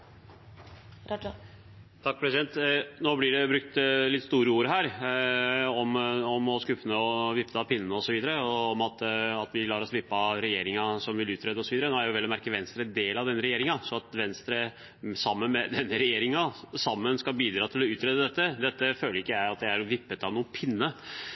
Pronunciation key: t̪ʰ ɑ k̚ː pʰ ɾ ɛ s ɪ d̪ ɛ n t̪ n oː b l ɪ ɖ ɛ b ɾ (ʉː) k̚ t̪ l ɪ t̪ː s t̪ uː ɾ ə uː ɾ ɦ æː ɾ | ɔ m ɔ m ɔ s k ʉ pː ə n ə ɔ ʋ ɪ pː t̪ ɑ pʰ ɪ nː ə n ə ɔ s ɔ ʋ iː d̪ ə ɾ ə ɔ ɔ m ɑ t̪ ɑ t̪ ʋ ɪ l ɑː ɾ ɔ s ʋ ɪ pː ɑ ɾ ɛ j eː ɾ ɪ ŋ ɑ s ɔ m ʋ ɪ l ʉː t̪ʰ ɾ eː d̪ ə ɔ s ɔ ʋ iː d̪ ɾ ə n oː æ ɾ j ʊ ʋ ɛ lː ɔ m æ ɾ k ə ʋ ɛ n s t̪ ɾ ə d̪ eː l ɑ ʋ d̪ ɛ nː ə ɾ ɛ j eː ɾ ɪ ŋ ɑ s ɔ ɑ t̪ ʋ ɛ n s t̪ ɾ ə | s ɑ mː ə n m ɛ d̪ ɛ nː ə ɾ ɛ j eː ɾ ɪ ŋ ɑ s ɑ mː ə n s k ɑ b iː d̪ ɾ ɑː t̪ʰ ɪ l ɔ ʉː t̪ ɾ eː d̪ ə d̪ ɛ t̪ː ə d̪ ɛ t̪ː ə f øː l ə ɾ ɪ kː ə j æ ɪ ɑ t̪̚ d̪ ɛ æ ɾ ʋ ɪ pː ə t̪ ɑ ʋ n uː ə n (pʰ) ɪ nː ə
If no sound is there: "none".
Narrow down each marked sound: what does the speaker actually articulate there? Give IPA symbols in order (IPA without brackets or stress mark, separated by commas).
ʉ, pʰ